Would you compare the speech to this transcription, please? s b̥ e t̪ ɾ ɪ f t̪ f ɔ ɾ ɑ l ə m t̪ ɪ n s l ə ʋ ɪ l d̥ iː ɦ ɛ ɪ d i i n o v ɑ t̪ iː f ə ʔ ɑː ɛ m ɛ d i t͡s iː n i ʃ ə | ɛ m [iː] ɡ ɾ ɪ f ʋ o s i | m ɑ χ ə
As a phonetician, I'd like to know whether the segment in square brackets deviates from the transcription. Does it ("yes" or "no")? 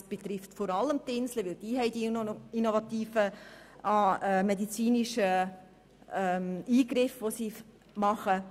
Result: no